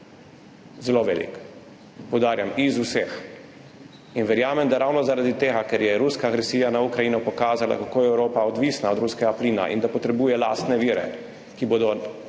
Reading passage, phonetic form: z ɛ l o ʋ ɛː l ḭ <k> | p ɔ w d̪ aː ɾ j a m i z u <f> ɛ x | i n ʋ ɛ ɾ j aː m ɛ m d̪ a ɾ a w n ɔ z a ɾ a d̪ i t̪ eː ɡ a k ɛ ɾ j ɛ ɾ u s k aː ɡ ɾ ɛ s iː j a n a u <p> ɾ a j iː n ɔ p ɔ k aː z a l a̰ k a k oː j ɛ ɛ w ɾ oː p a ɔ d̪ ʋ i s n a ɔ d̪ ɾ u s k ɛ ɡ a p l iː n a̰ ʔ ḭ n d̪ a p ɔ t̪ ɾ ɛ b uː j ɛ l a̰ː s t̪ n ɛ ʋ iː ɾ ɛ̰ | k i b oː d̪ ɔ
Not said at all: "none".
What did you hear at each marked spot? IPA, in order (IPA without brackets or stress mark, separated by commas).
k, s, k